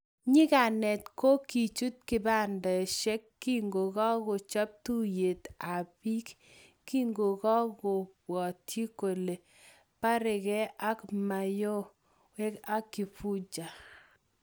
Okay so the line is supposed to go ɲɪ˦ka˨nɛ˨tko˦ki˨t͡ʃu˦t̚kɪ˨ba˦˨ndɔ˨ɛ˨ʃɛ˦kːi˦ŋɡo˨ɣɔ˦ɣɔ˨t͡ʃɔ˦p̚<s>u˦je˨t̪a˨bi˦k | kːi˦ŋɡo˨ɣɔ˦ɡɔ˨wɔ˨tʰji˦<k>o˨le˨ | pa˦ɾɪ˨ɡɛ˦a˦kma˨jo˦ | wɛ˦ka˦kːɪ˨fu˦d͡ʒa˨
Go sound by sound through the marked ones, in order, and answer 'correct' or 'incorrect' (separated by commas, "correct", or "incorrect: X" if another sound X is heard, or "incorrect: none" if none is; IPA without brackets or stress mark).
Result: incorrect: t, correct